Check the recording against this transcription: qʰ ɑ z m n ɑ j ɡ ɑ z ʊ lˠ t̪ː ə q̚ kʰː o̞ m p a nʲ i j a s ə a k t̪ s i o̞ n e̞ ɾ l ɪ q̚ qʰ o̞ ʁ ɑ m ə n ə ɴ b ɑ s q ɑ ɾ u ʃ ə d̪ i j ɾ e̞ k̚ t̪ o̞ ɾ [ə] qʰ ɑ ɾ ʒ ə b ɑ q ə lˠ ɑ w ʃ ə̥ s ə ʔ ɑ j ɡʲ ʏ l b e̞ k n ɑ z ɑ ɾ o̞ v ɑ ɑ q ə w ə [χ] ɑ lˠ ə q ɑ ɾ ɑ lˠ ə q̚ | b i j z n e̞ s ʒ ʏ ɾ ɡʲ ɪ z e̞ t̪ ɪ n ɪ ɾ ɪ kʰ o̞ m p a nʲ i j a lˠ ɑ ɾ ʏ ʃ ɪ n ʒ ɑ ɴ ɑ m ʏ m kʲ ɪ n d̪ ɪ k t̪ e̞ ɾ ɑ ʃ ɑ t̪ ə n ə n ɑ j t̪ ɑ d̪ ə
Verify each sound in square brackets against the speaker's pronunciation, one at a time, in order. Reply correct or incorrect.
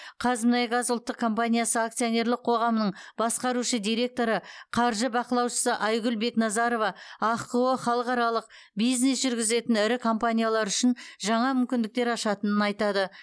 correct, correct

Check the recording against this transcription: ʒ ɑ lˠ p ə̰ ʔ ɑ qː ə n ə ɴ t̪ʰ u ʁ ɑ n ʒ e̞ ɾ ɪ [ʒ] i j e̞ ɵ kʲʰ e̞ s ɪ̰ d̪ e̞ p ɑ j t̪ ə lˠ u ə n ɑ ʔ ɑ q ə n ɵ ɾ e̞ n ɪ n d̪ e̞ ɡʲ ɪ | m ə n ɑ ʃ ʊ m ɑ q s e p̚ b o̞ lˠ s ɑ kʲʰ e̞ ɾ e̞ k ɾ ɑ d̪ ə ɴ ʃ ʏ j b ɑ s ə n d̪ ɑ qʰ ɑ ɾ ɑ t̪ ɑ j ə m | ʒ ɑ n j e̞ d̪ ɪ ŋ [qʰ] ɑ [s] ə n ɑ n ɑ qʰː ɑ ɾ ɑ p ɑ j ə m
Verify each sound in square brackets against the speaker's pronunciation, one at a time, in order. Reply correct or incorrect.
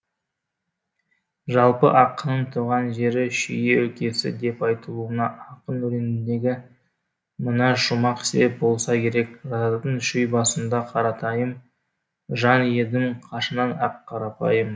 incorrect: ʃ, correct, incorrect: ʃ

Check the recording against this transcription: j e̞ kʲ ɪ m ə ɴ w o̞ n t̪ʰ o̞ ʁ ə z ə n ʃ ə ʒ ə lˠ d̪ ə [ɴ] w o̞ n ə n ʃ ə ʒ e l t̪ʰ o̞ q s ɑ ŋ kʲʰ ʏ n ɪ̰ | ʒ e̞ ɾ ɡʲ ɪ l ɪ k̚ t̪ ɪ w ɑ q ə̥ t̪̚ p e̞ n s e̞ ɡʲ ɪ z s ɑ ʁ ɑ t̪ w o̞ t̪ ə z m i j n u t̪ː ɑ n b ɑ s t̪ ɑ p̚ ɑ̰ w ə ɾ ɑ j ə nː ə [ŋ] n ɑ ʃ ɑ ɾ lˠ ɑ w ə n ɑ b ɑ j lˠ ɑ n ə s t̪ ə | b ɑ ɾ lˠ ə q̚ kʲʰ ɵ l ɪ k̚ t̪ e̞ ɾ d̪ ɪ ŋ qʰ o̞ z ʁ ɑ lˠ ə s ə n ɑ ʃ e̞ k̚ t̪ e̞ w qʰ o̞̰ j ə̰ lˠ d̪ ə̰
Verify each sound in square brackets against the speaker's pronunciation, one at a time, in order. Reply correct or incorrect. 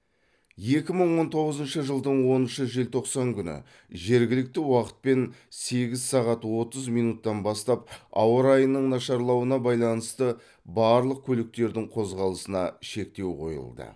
correct, incorrect: ɴ

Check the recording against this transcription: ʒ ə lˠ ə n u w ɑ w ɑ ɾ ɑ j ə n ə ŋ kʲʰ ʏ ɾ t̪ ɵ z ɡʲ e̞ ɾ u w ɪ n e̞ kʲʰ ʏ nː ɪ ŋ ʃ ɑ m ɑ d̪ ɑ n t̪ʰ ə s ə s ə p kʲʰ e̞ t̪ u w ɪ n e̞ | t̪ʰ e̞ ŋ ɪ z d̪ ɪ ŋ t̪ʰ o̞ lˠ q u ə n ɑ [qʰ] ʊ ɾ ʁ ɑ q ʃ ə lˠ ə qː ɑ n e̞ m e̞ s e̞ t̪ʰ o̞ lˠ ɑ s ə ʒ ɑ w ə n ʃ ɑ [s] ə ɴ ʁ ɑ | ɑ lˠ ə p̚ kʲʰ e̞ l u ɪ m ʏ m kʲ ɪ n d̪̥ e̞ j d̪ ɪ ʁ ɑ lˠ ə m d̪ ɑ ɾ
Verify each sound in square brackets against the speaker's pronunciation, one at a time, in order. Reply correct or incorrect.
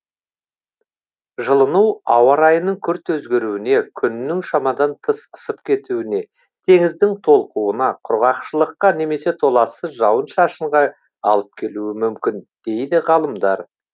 correct, incorrect: ʃ

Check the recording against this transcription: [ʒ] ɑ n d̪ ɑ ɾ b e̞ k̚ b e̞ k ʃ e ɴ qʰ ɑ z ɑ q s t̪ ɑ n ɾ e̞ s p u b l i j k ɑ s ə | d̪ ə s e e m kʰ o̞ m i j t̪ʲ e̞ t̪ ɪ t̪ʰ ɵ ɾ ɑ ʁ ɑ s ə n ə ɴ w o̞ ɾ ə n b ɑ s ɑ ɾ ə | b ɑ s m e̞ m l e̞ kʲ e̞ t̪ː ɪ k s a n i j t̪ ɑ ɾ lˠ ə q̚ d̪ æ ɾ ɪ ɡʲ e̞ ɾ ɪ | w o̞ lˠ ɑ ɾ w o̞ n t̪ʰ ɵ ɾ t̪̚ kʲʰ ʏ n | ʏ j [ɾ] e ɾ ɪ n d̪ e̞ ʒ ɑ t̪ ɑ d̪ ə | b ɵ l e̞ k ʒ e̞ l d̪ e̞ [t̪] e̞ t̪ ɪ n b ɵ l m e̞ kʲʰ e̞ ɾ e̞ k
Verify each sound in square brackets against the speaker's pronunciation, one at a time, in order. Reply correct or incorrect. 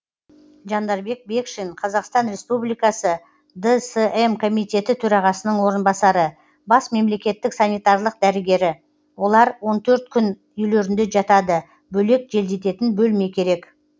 correct, incorrect: l, correct

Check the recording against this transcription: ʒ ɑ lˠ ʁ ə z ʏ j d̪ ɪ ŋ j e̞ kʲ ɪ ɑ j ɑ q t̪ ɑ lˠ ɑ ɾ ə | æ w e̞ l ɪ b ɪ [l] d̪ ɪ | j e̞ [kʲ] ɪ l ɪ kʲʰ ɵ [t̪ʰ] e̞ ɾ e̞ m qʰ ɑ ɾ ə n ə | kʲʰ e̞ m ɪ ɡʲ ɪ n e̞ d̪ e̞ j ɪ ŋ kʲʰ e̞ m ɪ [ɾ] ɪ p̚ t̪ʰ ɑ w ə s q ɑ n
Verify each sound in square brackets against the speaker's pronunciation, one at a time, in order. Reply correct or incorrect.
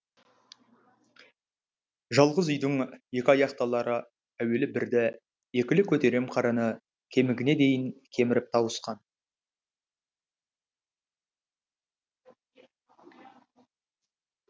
incorrect: ɾ, correct, incorrect: t̪, correct

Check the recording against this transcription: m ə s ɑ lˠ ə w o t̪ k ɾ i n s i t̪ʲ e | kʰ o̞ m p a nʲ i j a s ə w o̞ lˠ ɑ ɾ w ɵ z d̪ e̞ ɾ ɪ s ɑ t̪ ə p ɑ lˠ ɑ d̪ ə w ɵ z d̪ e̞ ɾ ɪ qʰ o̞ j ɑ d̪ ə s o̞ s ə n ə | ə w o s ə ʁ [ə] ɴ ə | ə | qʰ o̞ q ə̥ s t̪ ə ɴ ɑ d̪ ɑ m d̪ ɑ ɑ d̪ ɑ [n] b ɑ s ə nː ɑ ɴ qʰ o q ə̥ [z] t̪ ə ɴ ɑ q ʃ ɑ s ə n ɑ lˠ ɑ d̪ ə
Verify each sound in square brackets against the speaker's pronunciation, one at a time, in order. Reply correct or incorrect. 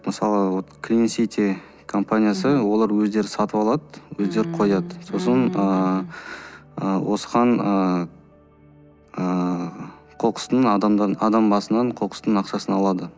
incorrect: ɑ, incorrect: m, incorrect: s

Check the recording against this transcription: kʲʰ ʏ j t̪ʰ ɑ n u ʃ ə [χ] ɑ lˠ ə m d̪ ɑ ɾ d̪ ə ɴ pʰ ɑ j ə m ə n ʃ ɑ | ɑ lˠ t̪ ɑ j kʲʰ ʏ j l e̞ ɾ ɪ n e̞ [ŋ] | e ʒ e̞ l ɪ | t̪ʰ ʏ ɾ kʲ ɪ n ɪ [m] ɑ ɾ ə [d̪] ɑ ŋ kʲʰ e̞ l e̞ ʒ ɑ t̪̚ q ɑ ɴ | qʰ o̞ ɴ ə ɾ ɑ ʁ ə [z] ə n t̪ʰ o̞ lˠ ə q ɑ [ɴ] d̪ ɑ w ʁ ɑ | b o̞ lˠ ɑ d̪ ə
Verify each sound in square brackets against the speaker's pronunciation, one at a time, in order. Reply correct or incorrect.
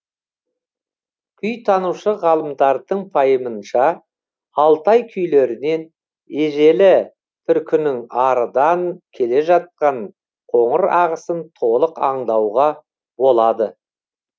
incorrect: ʁ, incorrect: n, incorrect: ŋ, correct, incorrect: s, correct

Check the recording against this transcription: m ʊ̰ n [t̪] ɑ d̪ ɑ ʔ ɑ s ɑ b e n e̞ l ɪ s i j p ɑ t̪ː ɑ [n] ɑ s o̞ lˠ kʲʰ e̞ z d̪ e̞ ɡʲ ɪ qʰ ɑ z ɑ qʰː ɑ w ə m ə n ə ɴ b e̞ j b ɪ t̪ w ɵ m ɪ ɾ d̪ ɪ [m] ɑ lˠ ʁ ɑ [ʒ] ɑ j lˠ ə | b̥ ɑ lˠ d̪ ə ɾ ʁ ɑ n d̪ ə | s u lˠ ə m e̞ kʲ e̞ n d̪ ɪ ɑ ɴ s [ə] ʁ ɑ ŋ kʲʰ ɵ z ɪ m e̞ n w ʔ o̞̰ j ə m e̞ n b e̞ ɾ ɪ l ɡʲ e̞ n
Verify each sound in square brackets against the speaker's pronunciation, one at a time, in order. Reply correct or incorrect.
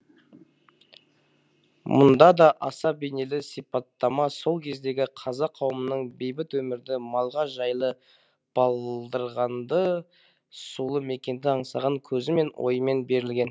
incorrect: d̪, incorrect: m, correct, correct, incorrect: ɑ

